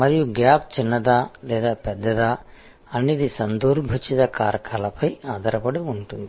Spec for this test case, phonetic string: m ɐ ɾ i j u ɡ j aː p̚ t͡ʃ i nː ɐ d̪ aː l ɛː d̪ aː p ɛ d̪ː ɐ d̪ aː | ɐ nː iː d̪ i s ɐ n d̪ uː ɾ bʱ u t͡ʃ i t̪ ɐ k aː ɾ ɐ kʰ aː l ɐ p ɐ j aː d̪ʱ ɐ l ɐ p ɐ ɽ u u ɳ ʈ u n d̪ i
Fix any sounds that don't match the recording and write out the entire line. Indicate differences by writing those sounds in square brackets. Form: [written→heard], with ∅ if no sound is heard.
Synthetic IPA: m ɐ ɾ i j u ɡ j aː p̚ t͡ʃ i nː ɐ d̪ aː l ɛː d̪ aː p ɛ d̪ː ɐ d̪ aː | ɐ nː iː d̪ i s ɐ n d̪ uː ɾ bʱ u t͡ʃ i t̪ ɐ k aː ɾ ɐ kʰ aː l ɐ p ɐ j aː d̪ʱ ɐ [l→ɾ] ɐ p ɐ ɽ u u ɳ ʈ u n d̪ i

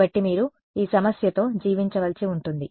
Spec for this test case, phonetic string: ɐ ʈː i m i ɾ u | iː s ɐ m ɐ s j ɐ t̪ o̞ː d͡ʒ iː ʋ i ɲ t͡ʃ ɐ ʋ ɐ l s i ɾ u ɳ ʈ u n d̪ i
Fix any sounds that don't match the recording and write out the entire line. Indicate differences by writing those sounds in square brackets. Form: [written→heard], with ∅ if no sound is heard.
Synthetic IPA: ɐ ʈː i m [i→iː] ɾ u | iː s ɐ m ɐ s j ɐ t̪ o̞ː d͡ʒ iː ʋ i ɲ t͡ʃ ɐ ʋ ɐ l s i [ɾ→∅] u ɳ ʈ u n d̪ i

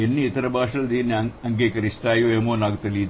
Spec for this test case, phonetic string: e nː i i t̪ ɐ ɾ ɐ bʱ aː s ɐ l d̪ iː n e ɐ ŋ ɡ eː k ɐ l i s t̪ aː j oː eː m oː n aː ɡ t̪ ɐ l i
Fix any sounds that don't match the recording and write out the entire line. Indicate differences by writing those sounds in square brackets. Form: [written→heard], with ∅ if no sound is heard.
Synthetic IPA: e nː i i t̪ ɐ ɾ ɐ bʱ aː [s→ʂ] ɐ l d̪ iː n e ɐ ŋ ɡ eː k ɐ [l→ɾ] i s t̪ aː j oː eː m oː n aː ɡ t̪ ɐ l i

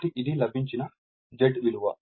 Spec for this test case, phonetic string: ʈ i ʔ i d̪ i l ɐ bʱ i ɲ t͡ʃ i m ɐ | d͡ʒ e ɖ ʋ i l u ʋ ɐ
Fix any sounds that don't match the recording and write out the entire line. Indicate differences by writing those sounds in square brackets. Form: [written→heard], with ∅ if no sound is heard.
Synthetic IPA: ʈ i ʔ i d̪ i l ɐ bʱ i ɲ t͡ʃ i [m→n] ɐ | d͡ʒ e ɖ ʋ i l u ʋ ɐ

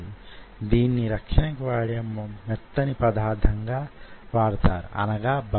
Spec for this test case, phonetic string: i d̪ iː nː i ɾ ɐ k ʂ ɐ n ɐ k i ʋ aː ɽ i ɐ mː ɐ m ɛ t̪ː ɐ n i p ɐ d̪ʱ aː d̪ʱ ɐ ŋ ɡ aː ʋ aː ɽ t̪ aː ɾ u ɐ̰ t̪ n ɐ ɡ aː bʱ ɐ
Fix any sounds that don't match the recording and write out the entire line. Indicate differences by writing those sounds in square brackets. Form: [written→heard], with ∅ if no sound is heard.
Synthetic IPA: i d̪ iː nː i ɾ ɐ k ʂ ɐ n ɐ k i ʋ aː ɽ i ɐ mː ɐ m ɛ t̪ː ɐ n i p ɐ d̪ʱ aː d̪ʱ ɐ ŋ ɡ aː ʋ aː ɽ t̪ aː ɾ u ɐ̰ [t̪→∅] n ɐ ɡ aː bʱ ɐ

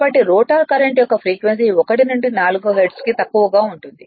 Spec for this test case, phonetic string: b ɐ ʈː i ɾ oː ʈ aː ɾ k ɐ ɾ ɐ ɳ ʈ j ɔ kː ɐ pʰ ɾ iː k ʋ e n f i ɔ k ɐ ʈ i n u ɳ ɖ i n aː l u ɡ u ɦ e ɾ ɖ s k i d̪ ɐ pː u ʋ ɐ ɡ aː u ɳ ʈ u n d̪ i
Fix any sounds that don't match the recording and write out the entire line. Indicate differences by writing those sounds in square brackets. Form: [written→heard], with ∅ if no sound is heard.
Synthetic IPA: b ɐ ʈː i ɾ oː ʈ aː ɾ k ɐ ɾ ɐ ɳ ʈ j ɔ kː ɐ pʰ ɾ iː k ʋ e n [f→s] i ɔ k ɐ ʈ i n u ɳ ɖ i n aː l u ɡ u ɦ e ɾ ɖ s k i [d̪→t̪] ɐ [pː→kː] u ʋ ɐ ɡ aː u ɳ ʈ u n d̪ i

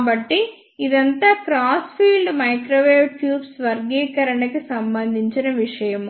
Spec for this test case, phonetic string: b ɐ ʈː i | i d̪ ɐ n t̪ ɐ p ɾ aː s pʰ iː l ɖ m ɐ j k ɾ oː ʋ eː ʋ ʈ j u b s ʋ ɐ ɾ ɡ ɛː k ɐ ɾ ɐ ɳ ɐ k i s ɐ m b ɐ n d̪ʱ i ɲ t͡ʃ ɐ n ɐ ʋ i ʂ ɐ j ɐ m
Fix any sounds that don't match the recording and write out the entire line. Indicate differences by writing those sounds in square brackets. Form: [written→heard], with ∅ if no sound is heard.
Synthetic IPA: b ɐ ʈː i | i d̪ ɐ n t̪ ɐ [p→k] ɾ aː s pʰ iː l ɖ m ɐ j k ɾ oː ʋ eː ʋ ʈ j [u→uː] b s ʋ ɐ ɾ ɡ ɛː k ɐ ɾ ɐ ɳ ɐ k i s ɐ m b ɐ n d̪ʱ i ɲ t͡ʃ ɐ n ɐ ʋ i ʂ ɐ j ɐ m

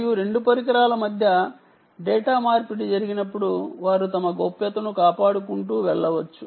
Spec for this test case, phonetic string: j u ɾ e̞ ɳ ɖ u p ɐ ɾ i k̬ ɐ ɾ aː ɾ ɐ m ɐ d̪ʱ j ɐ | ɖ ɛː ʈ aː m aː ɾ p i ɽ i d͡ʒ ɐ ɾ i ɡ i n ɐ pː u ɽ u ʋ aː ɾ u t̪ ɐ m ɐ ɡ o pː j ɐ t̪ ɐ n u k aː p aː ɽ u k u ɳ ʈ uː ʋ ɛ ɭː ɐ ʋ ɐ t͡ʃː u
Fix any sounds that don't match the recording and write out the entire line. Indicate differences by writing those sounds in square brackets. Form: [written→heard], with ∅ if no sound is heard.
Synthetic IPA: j u ɾ e̞ ɳ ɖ u p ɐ ɾ i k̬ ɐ ɾ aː [ɾ→l] ɐ m ɐ d̪ʱ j ɐ | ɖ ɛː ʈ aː m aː ɾ p i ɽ i d͡ʒ ɐ ɾ i ɡ i n ɐ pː u ɽ u ʋ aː ɾ u t̪ ɐ m ɐ ɡ o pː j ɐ t̪ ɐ n u k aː p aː ɽ u k u ɳ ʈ uː ʋ ɛ ɭː ɐ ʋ ɐ t͡ʃː u

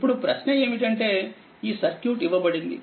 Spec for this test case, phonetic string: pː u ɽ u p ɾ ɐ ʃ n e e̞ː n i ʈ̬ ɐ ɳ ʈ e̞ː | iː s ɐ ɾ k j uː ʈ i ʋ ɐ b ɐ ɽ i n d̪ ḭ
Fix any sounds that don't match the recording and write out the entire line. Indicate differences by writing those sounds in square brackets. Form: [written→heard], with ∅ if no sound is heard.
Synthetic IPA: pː u ɽ u p ɾ ɐ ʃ n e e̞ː [n→m] i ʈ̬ ɐ ɳ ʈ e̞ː | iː s ɐ ɾ k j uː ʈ i ʋ ɐ b ɐ ɽ i n d̪ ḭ

